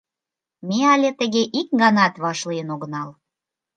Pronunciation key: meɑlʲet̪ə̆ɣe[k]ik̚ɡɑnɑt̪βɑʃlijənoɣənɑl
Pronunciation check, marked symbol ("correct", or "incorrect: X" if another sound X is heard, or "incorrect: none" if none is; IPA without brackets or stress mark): incorrect: ʔ